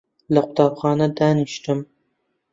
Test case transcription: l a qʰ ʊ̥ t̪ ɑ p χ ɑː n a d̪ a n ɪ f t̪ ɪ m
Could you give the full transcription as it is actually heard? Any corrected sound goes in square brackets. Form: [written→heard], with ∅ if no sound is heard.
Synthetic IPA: l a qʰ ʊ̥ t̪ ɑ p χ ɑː n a d̪ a n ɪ [f→ʃ] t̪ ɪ m